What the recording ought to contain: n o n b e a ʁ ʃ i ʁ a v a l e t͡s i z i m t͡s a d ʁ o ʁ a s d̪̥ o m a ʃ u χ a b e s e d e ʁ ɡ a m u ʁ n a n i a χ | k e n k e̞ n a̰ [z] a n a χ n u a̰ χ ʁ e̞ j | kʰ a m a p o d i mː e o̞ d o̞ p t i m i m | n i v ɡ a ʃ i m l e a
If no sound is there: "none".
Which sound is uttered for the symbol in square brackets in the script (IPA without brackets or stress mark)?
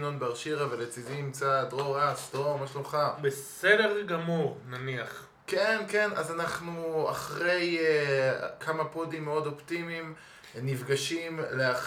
z